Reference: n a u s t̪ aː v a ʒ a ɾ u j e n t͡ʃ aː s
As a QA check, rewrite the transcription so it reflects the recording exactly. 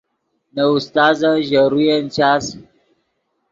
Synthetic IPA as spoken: n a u s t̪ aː z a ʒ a ɾ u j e n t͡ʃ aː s